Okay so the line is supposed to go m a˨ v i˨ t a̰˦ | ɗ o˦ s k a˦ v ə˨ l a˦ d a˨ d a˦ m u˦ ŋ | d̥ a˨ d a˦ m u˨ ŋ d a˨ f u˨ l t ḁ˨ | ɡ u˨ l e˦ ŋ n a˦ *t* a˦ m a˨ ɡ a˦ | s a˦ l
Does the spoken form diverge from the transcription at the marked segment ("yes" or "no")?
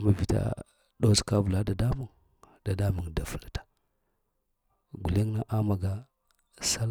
yes